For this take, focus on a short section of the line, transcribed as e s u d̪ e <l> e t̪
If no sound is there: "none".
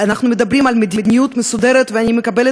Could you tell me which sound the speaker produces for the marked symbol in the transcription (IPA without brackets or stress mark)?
ɾ